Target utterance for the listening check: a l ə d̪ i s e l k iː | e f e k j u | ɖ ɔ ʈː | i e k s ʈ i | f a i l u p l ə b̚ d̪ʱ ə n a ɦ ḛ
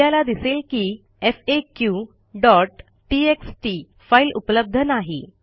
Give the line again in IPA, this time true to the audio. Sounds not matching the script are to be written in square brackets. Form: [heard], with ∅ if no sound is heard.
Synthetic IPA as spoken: a l [a] d̪ i s e l k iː | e f e k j u | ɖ ɔ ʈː | i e k s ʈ i | f a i l u p l ə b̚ d̪ʱ ə n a ɦ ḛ

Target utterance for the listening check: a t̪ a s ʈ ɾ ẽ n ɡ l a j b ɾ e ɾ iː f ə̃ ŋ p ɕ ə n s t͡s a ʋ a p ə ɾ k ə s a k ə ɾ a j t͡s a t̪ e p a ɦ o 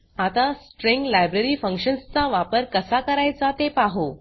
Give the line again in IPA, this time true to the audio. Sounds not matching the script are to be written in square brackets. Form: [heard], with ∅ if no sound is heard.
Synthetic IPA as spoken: a t̪ a s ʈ ɾ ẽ [ŋ] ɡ l a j b ɾ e ɾ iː f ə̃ ŋ [k] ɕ ə n s t͡s a ʋ a p ə ɾ k ə s a k ə ɾ a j t͡s a t̪ e p a ɦ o

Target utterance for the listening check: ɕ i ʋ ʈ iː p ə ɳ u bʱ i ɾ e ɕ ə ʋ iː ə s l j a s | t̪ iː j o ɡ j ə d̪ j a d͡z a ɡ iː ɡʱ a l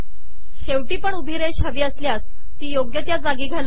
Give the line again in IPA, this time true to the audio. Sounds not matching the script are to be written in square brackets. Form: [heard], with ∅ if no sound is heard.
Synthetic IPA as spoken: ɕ [e] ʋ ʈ iː p ə ɳ u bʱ i ɾ e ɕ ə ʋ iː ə s l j a s | t̪ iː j o ɡ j ə [t̪] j a d͡z a ɡ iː ɡʱ a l

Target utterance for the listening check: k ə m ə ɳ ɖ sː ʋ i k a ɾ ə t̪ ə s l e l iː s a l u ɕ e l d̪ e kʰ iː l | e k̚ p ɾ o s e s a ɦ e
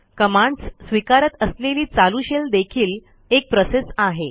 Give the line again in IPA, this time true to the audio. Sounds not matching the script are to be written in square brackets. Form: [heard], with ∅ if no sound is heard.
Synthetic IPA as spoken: k ə m [a] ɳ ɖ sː ʋ i k a ɾ ə t̪ ə s l e l iː [t͡s] a l u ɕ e l d̪ e kʰ iː l | e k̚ p ɾ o s e s a ɦ e

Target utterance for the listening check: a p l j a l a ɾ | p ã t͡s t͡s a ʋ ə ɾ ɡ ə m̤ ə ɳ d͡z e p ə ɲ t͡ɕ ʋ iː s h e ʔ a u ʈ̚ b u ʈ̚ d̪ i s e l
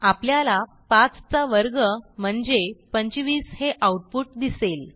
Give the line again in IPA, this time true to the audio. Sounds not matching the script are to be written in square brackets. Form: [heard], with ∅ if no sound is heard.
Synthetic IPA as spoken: a p l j a l a [∅] | p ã t͡s t͡s a ʋ ə ɾ ɡ ə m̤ ə ɳ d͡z e p ə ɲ t͡ɕ ʋ iː s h e ʔ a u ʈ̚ [p] u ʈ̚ d̪ i s e l

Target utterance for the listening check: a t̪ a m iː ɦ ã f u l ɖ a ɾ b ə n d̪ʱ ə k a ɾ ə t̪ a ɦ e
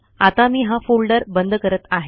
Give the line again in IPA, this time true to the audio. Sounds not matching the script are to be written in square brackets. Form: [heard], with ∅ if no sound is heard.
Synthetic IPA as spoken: a t̪ a m iː ɦ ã f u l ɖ [ə] ɾ b ə n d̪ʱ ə k [ə] ɾ ə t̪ a ɦ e

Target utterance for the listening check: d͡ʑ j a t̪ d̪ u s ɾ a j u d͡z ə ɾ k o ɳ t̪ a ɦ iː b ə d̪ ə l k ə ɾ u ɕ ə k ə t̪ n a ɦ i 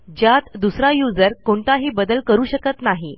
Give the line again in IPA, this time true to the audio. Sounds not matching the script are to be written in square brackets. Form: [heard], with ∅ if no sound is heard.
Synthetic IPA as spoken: d͡ʑ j a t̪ d̪ u s ɾ a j u d͡z ə ɾ k o ɳ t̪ a ɦ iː b ə d̪ ə l k ə ɾ [uː] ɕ ə k ə t̪ n a ɦ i

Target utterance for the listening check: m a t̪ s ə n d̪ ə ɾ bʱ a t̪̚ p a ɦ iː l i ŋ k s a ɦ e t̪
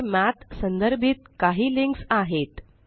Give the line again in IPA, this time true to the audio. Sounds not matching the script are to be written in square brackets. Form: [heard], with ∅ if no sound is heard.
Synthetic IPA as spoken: m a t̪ s ə n d̪ ə ɾ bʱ [i] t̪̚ [k] a ɦ iː l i ŋ k s a ɦ e t̪

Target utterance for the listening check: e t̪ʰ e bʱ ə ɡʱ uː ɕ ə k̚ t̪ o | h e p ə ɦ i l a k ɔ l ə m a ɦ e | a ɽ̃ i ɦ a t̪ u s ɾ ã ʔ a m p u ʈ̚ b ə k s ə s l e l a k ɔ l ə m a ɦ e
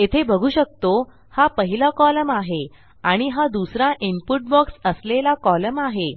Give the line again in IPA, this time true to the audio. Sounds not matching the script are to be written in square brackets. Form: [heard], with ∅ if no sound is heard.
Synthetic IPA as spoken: e t̪ʰ e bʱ ə ɡʱ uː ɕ ə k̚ t̪ o | h [a] p ə ɦ i l a k ɔ l ə m a ɦ e | a ɽ̃ i ɦ a [d̪] u s ɾ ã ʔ [i] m p u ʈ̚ b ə k s ə s l e l a k ɔ l ə m a ɦ e

